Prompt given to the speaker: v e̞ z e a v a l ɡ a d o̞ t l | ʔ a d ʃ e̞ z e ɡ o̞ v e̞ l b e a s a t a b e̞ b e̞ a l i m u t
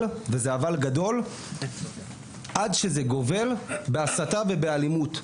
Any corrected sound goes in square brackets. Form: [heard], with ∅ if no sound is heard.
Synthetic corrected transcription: v e̞ z e a v a l ɡ a d o̞ [∅] l | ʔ a d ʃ e̞ z e ɡ o̞ v e̞ l b e a s a t a [v] e̞ b e̞ a l i m u t